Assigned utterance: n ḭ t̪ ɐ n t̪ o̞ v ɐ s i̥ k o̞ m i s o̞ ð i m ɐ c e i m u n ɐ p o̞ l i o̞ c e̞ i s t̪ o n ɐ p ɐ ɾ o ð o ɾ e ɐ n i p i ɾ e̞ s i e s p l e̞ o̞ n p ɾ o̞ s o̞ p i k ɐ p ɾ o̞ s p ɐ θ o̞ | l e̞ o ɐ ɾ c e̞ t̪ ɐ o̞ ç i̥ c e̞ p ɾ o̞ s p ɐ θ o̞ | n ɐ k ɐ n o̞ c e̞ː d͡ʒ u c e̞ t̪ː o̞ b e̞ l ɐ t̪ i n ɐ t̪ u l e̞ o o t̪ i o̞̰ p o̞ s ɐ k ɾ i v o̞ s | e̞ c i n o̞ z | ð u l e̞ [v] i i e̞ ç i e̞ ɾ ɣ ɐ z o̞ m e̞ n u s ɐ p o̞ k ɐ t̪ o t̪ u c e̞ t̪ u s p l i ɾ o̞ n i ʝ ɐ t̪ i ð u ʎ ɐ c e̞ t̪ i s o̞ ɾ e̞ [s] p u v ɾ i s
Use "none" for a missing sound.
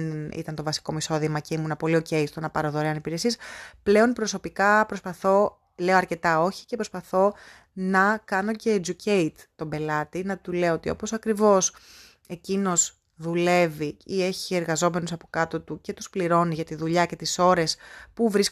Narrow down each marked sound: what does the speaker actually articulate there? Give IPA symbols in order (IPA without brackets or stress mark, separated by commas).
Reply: v, s